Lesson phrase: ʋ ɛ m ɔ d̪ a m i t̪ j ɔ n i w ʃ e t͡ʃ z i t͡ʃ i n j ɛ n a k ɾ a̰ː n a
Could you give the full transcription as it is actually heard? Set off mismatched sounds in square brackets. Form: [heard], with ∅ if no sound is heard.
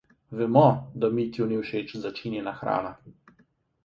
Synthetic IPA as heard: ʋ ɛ m ɔ d̪ a m i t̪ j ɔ n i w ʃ e t͡ʃ z [a] t͡ʃ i n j ɛ n a [x] ɾ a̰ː n a